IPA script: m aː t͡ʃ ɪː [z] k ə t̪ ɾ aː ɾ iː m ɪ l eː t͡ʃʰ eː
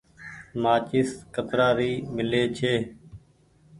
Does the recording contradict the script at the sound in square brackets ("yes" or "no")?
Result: yes